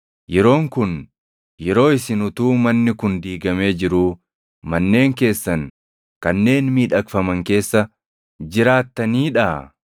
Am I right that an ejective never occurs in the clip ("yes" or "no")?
yes